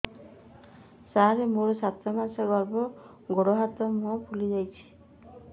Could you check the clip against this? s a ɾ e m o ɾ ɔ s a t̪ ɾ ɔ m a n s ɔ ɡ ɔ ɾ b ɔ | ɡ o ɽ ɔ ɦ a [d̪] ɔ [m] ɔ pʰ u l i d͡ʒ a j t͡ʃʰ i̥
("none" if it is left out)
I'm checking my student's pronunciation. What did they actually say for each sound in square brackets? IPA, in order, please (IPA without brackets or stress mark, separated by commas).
t̪, m